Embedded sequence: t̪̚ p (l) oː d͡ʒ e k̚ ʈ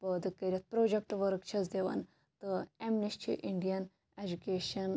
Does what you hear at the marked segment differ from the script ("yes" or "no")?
yes